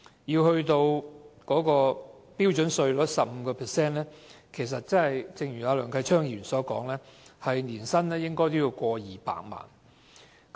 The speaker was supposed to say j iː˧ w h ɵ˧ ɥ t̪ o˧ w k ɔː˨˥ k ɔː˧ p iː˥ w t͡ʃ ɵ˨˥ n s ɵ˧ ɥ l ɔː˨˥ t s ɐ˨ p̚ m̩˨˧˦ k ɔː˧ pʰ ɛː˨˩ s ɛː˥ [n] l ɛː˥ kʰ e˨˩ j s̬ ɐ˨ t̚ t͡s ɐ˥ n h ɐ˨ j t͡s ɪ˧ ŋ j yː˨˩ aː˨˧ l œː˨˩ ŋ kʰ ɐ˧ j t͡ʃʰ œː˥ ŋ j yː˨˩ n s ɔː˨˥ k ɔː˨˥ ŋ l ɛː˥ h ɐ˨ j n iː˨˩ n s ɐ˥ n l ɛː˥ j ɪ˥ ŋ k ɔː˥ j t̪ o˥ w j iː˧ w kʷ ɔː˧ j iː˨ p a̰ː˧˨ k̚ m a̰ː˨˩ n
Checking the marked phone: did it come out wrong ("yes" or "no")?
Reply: no